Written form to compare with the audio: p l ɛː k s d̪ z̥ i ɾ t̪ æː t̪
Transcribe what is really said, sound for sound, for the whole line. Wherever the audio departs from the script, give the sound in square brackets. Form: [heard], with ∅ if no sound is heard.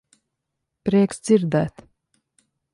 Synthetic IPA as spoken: p [ɾ] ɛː k s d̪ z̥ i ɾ [d̪] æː t̪